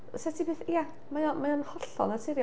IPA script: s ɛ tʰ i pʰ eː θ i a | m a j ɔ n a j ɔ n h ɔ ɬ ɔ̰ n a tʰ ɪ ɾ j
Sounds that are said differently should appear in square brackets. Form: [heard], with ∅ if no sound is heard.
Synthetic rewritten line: s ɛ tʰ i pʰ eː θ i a | m a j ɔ [m] a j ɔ n h ɔ ɬ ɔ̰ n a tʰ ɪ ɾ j